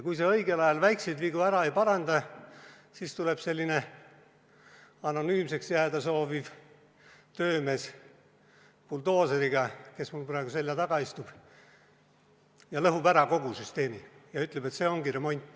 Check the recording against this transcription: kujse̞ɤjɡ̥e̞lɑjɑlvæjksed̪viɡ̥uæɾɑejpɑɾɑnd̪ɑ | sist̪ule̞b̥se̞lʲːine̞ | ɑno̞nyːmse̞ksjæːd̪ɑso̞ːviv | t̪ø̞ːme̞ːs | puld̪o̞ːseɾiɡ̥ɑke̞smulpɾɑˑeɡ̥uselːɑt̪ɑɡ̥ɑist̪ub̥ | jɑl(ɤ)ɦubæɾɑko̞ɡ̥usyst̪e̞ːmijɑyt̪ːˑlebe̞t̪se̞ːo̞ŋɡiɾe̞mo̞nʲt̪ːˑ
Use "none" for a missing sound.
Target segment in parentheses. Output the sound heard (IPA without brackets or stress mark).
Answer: ɤ